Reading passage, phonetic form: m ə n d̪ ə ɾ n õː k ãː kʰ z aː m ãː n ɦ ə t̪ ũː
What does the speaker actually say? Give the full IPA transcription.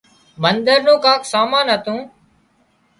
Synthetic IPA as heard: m ə n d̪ ə ɾ n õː k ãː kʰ s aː m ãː n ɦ ə t̪ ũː